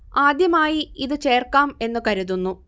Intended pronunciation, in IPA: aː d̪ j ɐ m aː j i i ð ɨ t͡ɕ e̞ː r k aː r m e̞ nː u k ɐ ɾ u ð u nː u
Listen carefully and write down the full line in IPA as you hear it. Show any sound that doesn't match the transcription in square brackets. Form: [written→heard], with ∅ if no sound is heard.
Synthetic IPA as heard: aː d̪ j ɐ m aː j i i ð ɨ t͡ɕ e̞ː r k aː [r→∅] m e̞ nː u k ɐ ɾ u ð u nː u